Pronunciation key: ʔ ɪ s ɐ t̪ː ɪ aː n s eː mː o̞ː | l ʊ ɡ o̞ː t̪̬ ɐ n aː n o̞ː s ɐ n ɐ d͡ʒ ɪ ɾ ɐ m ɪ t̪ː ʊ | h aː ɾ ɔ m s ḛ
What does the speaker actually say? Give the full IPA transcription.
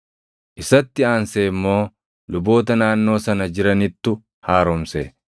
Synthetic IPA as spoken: ʔ ɪ s ɐ t̪ː ɪ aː n s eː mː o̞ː | l ʊ b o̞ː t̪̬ ɐ n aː nː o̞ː s ɐ n ɐ d͡ʒ ɪ ɾ ɐ n ɪ t̪ː ʊ | h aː ɾ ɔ m s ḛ